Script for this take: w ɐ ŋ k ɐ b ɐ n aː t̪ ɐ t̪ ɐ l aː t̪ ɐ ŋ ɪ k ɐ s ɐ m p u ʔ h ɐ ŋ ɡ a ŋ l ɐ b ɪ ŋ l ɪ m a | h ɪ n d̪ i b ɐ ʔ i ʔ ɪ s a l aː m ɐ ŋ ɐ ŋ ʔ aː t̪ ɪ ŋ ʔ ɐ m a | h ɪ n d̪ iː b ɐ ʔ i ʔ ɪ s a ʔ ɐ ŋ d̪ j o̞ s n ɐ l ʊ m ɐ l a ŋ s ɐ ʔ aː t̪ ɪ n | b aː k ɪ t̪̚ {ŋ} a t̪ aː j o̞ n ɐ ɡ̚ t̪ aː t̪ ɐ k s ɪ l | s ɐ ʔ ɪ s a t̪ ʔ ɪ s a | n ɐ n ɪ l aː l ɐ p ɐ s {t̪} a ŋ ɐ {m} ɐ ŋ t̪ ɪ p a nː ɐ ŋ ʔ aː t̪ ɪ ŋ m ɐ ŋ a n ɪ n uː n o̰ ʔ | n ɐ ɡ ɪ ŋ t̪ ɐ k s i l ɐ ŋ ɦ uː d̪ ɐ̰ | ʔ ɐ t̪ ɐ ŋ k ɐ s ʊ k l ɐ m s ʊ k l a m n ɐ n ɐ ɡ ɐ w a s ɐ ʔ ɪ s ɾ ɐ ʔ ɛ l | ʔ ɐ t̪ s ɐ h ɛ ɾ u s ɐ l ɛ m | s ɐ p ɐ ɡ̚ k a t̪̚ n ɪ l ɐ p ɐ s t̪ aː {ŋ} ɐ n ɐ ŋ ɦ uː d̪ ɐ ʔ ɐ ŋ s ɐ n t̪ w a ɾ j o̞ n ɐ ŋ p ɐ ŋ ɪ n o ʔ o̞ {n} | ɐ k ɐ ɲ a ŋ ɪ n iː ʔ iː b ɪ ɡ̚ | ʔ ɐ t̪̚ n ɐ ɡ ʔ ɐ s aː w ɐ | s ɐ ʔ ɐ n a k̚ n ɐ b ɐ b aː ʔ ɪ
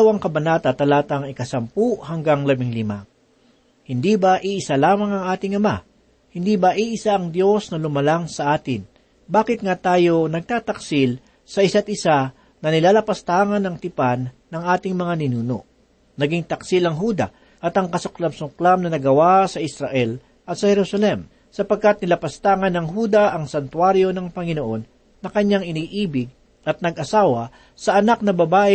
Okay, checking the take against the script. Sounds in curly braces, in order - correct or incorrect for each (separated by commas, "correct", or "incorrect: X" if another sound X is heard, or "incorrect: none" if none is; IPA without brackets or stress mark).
correct, correct, incorrect: n, correct, incorrect: nː